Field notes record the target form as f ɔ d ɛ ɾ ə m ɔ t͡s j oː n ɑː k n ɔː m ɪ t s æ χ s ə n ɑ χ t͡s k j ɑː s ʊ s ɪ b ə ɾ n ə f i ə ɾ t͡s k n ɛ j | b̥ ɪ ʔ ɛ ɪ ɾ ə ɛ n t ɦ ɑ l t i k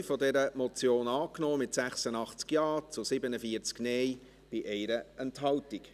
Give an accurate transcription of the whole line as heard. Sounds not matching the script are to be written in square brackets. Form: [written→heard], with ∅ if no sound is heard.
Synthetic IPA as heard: f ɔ d ɛ ɾ ə m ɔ t͡s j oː n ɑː k n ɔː m ɪ t s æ χ s ə n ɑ χ t͡s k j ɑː [s→t͡s] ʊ s ɪ b ə [ɾ→∅] n ə f i ə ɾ t͡s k n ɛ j | b̥ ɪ ʔ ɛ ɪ ɾ ə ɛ n t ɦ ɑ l t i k